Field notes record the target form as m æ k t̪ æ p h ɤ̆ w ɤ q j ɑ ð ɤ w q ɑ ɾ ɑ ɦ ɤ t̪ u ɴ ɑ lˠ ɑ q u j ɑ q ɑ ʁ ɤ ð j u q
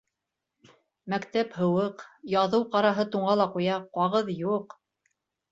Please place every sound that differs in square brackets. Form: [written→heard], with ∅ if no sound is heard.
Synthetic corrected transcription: m æ k t̪ æ p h ɤ̆ w ɤ q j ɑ ð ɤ w q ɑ ɾ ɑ ɦ ɤ t̪ u ɴ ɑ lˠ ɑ q u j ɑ q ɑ ʁ ɤ ð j u q